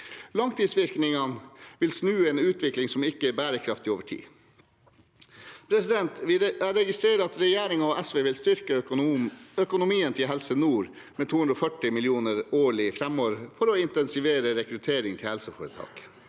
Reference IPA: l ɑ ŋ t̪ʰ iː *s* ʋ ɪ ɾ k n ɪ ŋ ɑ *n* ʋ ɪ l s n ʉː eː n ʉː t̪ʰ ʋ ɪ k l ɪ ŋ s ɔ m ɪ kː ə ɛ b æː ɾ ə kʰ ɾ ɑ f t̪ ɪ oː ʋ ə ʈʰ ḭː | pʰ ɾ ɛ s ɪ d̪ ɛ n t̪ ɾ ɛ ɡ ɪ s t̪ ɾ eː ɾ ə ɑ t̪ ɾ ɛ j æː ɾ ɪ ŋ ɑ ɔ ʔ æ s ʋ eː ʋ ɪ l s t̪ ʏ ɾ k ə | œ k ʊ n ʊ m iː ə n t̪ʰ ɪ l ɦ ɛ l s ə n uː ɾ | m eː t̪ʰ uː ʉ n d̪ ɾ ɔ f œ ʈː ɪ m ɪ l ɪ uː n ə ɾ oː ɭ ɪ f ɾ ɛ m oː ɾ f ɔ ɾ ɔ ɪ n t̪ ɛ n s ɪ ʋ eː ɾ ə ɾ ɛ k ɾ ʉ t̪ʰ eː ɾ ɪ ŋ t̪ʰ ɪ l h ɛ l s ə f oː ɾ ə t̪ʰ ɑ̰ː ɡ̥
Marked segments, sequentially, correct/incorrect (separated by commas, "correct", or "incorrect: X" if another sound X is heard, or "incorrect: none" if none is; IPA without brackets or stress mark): correct, correct